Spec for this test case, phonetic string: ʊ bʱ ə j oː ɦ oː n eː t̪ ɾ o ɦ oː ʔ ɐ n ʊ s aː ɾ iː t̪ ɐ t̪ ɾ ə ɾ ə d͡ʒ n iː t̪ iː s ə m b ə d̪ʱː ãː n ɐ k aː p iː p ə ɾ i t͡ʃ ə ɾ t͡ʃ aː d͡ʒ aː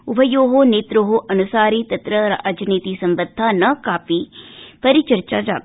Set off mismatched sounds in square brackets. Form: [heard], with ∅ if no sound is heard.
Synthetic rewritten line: ʊ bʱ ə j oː ɦ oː n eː t̪ ɾ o ɦ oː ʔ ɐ n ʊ s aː ɾ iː t̪ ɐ t̪ ɾ ə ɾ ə d͡ʒ n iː t̪ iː s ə m b ə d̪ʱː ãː n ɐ k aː p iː p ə ɾ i t͡ʃ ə ɾ t͡ʃ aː d͡ʒ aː